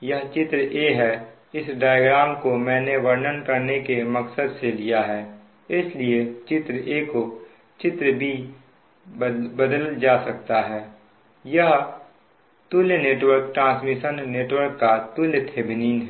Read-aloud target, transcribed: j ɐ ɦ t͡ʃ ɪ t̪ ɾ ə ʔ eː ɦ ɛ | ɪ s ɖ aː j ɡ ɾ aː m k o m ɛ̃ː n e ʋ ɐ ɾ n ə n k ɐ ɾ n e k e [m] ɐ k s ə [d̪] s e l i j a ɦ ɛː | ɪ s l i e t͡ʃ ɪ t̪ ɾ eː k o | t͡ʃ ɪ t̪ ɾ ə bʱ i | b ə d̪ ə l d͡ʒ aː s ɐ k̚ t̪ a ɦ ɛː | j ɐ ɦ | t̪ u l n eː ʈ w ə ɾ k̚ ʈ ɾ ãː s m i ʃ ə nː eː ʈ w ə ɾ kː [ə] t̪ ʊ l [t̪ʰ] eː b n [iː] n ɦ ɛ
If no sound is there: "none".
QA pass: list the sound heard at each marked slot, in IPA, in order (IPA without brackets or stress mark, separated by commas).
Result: m, d̪, a, t̪ʰ, iː